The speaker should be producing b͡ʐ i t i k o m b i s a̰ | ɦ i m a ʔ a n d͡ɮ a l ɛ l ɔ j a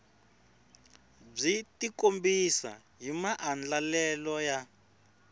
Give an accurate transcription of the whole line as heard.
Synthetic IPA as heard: b͡ʐ i t i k o m b i s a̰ | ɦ i m a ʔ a n d͡ɮ a l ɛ l ɔ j a